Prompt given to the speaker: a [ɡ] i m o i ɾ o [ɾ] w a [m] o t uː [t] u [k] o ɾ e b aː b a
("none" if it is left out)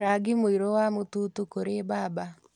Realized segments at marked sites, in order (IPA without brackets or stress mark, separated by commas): ɡ, none, m, t, k